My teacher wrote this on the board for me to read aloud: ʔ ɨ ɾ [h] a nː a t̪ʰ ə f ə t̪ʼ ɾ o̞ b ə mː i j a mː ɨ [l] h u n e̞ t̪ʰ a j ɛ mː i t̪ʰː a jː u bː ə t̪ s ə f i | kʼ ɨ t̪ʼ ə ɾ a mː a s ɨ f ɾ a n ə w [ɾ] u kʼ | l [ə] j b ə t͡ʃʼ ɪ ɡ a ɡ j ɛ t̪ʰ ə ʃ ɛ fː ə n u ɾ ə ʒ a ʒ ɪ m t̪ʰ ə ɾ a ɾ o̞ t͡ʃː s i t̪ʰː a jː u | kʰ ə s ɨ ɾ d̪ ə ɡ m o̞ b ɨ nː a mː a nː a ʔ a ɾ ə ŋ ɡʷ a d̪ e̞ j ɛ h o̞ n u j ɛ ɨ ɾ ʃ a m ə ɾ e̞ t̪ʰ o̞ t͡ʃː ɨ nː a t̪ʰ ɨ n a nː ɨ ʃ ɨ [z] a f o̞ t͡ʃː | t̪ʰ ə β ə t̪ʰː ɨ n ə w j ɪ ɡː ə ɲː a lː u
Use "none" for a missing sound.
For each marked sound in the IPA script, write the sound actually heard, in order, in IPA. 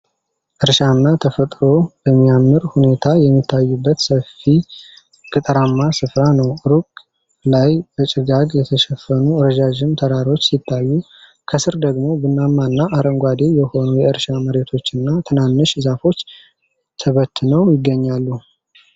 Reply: ʃ, ɾ, ɾ, a, z

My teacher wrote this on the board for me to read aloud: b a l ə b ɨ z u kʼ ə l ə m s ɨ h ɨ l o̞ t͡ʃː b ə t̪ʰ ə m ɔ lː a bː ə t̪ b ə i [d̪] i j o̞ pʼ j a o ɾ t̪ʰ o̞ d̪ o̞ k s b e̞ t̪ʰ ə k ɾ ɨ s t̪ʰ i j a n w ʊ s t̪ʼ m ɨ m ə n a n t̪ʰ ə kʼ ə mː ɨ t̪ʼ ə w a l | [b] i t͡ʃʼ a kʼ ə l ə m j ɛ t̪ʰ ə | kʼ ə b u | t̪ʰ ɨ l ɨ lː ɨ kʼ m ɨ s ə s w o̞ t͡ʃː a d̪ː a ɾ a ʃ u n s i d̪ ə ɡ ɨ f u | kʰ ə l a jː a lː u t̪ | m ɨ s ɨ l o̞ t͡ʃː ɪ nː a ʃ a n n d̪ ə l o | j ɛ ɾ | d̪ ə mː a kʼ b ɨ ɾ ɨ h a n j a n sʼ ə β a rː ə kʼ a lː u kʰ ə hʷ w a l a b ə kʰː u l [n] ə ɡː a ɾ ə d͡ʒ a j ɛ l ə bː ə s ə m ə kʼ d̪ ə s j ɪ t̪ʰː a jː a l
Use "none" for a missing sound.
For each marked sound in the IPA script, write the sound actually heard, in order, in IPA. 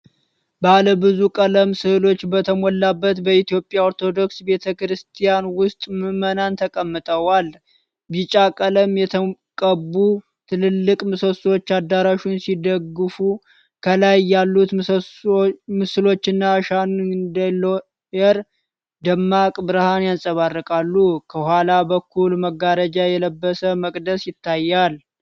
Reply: t̪, b, m

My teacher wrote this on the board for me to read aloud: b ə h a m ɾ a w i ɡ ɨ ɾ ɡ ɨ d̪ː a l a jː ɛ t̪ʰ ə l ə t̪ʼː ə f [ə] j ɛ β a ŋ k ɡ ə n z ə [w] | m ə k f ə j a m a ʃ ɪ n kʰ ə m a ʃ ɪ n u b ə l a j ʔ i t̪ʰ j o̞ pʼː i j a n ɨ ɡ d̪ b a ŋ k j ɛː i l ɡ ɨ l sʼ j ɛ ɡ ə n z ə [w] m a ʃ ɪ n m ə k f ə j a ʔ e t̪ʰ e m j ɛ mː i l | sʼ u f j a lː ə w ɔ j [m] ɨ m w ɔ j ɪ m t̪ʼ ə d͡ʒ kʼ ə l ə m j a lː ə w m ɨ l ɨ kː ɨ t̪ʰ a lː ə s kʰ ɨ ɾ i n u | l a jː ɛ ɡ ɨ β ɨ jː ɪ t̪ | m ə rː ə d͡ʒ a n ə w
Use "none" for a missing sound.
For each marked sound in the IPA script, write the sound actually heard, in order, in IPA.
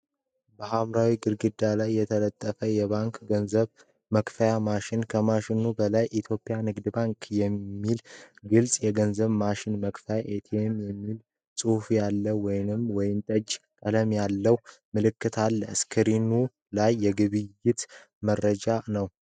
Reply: ə, β, β, n

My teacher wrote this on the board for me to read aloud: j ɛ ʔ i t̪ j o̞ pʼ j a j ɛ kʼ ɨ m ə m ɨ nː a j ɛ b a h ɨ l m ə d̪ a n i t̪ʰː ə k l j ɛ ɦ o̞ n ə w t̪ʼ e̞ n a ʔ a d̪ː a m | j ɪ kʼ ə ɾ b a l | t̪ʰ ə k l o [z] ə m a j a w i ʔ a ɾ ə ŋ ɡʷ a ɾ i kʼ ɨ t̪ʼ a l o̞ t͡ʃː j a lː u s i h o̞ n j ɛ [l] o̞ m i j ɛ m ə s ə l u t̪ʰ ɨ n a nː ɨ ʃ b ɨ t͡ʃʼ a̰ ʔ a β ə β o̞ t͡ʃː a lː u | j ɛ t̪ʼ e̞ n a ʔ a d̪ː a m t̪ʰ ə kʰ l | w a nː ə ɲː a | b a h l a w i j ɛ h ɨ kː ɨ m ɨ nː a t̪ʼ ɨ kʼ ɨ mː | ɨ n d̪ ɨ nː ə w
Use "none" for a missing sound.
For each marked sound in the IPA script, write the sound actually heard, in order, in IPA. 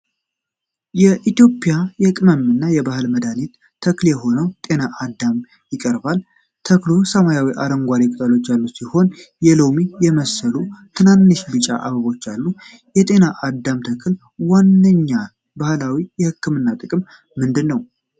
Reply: s, l

